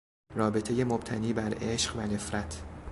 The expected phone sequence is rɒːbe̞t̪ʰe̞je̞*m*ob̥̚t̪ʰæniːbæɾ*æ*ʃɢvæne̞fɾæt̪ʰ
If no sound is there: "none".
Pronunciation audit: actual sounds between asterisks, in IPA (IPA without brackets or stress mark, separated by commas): m, e